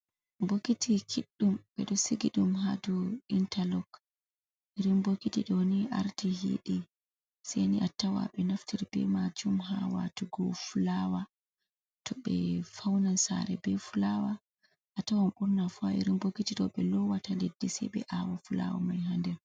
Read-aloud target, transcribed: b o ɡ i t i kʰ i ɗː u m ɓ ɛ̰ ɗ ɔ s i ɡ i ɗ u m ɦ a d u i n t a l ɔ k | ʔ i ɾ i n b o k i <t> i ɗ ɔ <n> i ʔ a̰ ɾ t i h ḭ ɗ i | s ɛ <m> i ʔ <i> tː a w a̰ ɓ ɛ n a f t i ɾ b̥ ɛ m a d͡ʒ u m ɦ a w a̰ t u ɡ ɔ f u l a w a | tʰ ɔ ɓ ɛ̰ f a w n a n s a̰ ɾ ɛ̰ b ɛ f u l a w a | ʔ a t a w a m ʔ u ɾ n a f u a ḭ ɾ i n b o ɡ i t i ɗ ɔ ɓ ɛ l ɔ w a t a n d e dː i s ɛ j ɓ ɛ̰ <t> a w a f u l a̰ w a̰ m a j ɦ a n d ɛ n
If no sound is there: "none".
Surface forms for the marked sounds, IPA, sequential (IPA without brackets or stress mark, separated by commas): t, n, n, a, ʔ